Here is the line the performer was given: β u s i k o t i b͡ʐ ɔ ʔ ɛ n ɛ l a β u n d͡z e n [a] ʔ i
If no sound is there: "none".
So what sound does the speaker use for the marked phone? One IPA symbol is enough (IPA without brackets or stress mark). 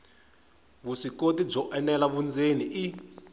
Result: i